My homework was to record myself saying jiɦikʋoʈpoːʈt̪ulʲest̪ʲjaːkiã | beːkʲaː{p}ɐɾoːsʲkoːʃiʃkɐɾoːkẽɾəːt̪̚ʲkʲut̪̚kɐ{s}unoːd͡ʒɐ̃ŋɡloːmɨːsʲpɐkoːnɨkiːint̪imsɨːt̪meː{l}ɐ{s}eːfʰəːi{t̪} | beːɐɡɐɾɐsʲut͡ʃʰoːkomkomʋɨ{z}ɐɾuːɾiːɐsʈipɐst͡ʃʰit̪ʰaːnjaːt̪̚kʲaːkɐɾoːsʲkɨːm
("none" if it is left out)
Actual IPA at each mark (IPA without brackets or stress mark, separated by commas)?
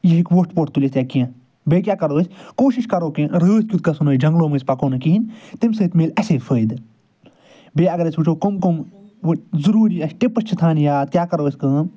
k, s, l, s, d̪, z